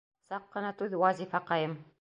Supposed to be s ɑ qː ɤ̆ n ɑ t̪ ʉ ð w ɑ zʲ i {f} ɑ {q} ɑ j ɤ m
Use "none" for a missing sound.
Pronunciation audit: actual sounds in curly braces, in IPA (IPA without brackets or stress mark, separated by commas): f, q